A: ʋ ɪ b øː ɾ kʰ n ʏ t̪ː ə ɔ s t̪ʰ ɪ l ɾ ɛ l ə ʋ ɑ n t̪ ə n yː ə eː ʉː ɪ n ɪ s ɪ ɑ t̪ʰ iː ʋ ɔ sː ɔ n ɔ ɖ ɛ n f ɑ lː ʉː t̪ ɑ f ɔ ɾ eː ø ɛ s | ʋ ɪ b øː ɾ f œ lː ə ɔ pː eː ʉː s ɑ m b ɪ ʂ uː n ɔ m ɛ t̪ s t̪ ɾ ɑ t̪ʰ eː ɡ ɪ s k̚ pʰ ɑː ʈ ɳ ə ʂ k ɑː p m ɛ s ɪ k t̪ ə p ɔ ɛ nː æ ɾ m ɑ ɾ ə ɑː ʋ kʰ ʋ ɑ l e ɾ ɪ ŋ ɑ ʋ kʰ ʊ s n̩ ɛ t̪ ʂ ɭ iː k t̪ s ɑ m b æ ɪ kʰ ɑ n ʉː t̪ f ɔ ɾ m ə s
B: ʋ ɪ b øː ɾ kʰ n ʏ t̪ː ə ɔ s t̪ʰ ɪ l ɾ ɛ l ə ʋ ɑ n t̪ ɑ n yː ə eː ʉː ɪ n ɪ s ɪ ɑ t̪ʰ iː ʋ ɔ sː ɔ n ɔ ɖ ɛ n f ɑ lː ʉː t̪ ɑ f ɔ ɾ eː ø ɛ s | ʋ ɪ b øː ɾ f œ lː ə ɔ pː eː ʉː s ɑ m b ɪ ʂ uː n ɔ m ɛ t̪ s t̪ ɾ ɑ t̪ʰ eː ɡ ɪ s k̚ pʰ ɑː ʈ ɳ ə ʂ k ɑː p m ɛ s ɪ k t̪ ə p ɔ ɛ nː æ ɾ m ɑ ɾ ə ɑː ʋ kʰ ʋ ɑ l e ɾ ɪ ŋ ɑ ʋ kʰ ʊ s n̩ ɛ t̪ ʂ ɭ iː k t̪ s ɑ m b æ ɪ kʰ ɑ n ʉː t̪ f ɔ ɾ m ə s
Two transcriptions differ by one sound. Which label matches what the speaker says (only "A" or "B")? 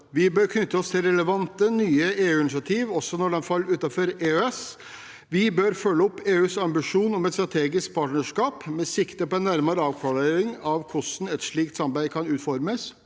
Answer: A